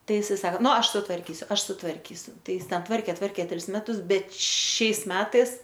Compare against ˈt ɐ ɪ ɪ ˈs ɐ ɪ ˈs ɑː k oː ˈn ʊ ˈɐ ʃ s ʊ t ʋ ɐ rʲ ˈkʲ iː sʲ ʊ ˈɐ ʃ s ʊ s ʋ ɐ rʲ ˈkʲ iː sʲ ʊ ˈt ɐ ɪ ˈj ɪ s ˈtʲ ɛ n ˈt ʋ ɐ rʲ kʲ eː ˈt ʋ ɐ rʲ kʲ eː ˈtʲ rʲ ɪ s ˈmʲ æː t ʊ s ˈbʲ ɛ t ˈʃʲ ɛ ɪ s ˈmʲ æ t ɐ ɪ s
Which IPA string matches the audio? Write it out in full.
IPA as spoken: ˈt ɐ ɪ ɪ ˈs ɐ ɪ ˈs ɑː k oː ˈn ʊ ˈɐ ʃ s ʊ t ʋ ɐ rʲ ˈkʲ iː sʲ ʊ ˈɐ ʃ s ʊ t ʋ ɐ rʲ ˈkʲ iː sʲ ʊ ˈt ɐ ɪ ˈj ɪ s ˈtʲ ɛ n ˈt ʋ ɐ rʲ kʲ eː ˈt ʋ ɐ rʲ kʲ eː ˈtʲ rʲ ɪ s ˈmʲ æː t ʊ s ˈbʲ ɛ t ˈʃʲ ɛ ɪ s ˈmʲ æː t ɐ ɪ s